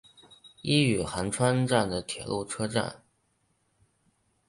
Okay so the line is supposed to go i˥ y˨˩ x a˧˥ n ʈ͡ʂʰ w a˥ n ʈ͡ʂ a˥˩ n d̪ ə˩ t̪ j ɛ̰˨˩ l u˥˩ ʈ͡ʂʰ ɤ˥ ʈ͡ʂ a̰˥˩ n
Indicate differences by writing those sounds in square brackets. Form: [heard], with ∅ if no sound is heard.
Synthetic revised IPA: i˥ y˨˩ x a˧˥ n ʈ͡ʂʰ w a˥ n ʈ͡ʂ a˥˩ n d̪ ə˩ [t̪ʰ] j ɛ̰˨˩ l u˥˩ ʈ͡ʂʰ ɤ˥ ʈ͡ʂ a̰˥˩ n